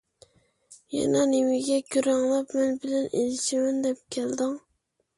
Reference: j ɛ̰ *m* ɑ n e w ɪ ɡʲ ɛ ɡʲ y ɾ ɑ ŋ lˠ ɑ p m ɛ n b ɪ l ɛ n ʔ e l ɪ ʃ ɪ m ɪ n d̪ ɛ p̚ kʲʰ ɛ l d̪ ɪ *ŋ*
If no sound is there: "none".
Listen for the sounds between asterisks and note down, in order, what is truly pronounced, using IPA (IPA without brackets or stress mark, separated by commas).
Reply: n, ŋ